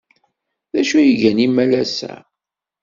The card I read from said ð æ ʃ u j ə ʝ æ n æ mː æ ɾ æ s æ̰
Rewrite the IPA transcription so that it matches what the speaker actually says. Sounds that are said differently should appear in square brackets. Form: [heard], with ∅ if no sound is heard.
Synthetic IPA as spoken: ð æ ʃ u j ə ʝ æ n [i] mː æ [l] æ s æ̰